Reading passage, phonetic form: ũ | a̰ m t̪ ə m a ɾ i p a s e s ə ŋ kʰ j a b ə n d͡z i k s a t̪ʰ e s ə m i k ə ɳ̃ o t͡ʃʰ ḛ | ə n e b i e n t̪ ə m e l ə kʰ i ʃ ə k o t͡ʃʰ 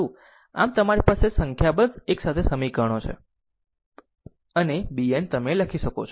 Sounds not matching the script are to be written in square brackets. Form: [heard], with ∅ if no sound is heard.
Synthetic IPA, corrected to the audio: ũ | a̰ m t̪ ə m a ɾ i p a s e s ə ŋ kʰ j a b ə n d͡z [e] k s a t̪ʰ e s ə m i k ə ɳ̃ o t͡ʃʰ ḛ | ə n e b i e n t̪ ə m e l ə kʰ i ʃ ə k o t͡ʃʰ